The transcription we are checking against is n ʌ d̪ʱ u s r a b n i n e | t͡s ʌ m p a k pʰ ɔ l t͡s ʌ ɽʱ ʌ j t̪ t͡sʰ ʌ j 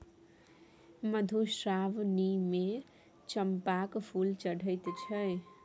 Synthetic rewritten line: m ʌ d̪ʱ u s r a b n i m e | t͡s ʌ m p a k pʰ u l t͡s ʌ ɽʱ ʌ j t̪ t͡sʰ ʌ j